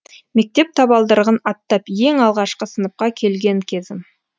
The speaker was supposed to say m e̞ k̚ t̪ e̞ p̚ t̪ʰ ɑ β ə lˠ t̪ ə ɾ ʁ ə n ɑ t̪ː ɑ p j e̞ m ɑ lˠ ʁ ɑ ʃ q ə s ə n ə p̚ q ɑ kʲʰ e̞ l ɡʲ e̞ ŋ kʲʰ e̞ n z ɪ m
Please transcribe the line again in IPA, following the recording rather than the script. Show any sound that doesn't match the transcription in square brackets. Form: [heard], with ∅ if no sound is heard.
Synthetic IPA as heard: m e̞ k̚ t̪ e̞ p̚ t̪ʰ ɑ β [ɑ] lˠ [d̪] ə ɾ ʁ ə n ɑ t̪ː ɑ p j e̞ [ŋ] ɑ lˠ ʁ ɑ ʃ q ə s ə n ə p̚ q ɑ kʲʰ e̞ l ɡʲ e̞ ŋ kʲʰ e̞ [∅] z ɪ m